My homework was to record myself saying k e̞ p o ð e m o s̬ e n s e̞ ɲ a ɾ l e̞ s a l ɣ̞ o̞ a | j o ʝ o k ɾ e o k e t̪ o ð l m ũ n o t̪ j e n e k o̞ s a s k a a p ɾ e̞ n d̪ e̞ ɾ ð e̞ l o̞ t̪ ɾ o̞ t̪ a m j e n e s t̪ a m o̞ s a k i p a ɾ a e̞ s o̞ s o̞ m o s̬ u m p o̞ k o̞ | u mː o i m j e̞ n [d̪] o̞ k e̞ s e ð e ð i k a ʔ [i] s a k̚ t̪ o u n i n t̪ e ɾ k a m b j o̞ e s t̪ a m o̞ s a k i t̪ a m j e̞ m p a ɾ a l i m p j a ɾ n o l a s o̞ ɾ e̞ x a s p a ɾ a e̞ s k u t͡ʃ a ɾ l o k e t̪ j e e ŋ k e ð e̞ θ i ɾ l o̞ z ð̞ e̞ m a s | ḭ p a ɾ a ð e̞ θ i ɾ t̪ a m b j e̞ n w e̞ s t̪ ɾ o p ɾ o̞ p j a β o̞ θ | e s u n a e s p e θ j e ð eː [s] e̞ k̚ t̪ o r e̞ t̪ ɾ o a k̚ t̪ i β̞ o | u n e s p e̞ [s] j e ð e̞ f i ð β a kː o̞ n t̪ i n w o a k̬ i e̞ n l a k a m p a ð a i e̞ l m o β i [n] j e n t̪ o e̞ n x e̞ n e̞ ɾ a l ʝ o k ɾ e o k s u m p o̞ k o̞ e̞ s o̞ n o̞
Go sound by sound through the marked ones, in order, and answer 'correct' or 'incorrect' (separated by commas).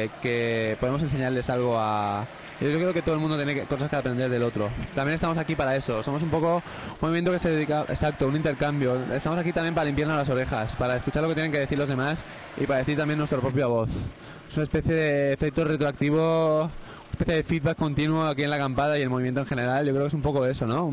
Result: incorrect, incorrect, incorrect, incorrect, incorrect